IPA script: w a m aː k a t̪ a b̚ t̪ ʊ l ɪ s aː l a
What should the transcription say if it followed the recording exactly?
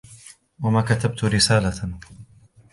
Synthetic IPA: w a m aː k a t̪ a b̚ t̪ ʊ ɾ ɪ s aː l a